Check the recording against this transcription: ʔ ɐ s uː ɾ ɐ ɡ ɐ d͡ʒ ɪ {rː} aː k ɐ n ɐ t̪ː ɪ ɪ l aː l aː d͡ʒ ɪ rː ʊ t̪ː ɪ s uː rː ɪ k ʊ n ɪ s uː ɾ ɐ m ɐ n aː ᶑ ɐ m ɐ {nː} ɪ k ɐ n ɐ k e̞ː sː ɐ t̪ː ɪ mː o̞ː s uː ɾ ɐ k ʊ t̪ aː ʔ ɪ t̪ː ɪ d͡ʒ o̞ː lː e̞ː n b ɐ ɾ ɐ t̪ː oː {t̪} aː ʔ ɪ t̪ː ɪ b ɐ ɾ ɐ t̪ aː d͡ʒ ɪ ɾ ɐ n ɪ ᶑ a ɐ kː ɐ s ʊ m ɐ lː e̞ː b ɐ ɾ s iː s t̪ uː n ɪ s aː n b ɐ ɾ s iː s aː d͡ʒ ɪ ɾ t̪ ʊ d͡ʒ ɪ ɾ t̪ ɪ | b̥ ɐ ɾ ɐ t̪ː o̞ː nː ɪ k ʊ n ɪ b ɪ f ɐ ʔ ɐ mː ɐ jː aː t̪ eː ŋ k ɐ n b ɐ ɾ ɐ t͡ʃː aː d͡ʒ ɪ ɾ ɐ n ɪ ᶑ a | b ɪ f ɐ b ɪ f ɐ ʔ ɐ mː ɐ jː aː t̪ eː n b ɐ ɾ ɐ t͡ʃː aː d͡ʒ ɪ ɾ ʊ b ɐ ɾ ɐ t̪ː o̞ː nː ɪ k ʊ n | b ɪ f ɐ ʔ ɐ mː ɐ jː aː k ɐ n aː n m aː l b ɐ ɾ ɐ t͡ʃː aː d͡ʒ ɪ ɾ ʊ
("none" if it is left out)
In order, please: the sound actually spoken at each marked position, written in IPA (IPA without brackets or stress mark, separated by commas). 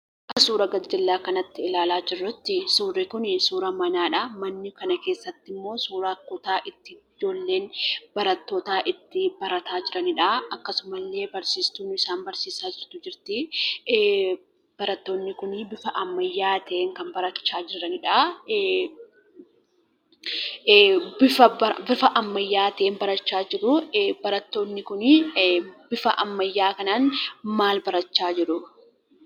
lː, nː, t̪